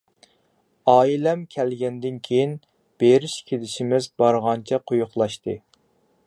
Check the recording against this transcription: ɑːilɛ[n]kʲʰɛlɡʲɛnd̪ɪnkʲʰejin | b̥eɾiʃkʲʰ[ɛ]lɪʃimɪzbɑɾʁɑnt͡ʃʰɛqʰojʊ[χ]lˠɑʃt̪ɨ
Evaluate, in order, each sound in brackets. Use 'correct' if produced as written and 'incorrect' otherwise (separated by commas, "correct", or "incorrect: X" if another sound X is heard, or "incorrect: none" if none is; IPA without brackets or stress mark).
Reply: incorrect: m, incorrect: e, correct